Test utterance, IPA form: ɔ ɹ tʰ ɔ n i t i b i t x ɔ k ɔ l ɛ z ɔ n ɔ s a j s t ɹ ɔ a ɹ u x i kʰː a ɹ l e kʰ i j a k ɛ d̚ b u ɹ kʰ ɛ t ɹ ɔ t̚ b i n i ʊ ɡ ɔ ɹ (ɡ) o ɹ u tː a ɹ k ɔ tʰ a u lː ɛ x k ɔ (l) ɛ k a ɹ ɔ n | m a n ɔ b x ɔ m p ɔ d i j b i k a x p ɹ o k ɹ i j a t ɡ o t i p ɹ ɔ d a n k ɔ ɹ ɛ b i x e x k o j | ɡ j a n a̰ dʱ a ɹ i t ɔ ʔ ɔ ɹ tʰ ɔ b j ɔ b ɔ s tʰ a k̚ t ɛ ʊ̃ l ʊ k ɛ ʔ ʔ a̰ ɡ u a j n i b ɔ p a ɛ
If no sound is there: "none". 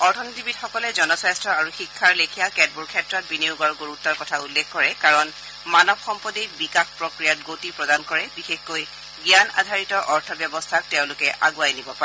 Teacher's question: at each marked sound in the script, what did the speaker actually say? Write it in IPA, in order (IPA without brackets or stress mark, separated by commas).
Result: ɡ, ɹ